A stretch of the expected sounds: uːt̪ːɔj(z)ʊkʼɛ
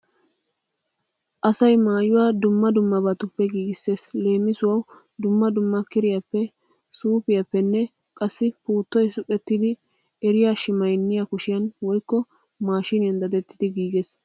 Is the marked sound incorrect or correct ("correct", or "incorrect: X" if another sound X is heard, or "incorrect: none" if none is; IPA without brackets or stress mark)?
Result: incorrect: s